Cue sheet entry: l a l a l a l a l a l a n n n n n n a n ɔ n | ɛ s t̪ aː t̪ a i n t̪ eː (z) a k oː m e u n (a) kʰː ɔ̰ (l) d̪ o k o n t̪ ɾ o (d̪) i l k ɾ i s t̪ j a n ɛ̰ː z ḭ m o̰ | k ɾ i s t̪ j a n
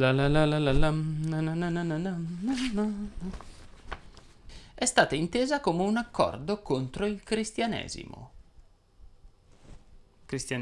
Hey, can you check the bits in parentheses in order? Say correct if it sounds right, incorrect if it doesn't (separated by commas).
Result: correct, correct, incorrect, incorrect